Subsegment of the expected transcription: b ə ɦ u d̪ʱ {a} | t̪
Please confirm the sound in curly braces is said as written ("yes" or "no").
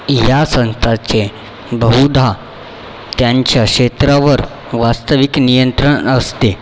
yes